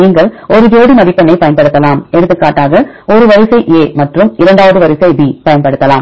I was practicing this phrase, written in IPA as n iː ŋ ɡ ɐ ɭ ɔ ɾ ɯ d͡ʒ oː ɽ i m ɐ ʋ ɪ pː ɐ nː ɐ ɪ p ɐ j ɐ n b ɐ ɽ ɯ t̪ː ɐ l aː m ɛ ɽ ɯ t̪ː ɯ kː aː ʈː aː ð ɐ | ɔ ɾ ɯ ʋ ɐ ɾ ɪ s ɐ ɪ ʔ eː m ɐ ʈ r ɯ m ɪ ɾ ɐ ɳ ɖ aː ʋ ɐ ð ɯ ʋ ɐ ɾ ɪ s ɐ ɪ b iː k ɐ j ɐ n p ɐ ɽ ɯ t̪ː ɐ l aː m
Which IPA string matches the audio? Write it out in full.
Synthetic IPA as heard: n iː ŋ ɡ ɐ ɭ ɔ ɾ ɯ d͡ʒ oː ɽ i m ɐ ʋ ɪ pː ɐ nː ɐ ɪ p ɐ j ɐ n p ɐ ɽ ɯ t̪ː ɐ l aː m ɛ ɽ ɯ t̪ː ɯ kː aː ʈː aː ɣ ɐ | ɔ ɾ ɯ ʋ ɐ ɾ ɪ s ɐ ɪ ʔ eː m ɐ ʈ r ɯ m ɪ ɾ ɐ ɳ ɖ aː ʋ ɐ ð ɯ ʋ ɐ ɾ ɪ s ɐ ɪ b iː p ɐ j ɐ n p ɐ ɽ ɯ t̪ː ɐ l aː m